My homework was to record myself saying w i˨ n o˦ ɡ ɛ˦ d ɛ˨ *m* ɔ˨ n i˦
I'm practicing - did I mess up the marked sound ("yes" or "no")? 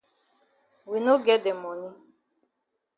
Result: no